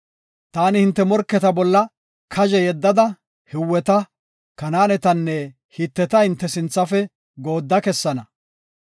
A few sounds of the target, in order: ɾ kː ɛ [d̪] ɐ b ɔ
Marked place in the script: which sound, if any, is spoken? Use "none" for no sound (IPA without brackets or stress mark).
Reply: t̪